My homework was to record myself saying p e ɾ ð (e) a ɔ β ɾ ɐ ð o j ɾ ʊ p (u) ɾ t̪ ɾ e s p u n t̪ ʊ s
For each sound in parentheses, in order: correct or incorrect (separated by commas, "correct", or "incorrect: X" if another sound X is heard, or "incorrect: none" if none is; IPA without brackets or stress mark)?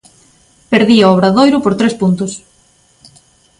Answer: incorrect: i, incorrect: o